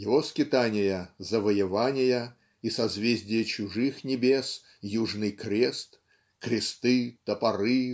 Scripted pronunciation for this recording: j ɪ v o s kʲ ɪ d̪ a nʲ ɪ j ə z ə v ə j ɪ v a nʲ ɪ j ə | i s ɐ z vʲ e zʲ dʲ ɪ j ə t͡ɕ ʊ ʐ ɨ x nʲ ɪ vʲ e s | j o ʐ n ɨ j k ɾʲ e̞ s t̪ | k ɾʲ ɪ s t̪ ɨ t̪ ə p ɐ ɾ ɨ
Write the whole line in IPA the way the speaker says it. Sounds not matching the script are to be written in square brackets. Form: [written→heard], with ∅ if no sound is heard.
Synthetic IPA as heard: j ɪ v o s kʲ ɪ [d̪→t̪] a nʲ ɪ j ə z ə v ə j ɪ v a nʲ ɪ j ə | i s ɐ z vʲ e zʲ dʲ ɪ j ə t͡ɕ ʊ ʐ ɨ x nʲ ɪ [vʲ→bʲ] e s | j [o→u] ʐ n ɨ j k ɾʲ e̞ s t̪ | k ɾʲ ɪ s t̪ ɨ t̪ ə p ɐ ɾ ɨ